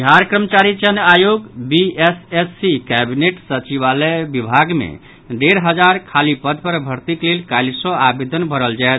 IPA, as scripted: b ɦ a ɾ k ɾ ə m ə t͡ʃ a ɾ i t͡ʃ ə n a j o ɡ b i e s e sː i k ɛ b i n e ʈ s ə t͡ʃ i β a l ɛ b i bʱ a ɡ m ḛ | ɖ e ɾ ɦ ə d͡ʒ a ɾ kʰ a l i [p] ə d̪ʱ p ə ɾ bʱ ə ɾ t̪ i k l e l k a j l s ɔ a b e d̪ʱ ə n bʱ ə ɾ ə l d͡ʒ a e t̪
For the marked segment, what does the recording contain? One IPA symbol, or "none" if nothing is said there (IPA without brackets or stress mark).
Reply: p